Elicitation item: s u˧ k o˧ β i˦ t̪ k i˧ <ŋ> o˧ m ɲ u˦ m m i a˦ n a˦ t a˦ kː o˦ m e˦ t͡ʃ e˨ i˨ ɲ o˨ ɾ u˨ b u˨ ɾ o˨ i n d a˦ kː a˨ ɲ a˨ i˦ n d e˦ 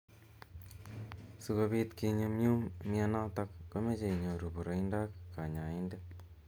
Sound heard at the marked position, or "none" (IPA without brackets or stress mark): ɲ